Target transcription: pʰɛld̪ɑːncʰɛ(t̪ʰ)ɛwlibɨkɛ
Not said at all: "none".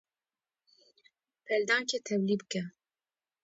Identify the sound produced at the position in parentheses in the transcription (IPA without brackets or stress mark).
t̪ʰ